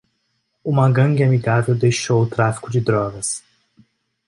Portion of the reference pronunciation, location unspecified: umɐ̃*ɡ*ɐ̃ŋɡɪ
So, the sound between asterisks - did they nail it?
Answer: yes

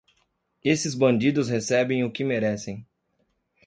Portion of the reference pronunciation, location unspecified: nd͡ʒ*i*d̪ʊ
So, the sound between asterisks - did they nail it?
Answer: yes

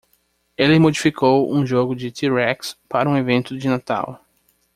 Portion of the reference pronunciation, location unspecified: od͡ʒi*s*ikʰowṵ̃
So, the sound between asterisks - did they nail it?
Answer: no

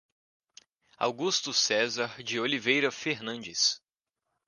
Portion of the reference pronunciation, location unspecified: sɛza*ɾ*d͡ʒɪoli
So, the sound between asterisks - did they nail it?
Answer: yes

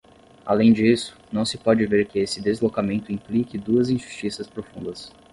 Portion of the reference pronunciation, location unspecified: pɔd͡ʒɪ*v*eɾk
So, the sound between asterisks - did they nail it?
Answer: yes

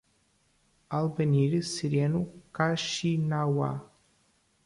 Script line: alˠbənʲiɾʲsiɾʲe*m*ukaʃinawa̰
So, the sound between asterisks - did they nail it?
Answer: no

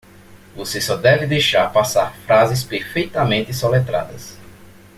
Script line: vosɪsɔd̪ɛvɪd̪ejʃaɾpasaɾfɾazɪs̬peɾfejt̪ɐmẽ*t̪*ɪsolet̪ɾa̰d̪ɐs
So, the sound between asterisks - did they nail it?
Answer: yes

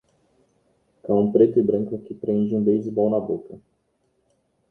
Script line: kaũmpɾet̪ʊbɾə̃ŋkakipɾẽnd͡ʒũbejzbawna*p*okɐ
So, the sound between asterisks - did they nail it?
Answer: no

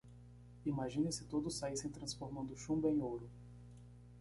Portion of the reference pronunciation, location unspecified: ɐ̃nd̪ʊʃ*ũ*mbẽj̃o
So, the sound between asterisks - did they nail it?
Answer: yes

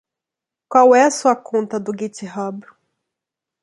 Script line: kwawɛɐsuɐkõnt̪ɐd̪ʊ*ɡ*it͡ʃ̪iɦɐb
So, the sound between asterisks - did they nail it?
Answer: yes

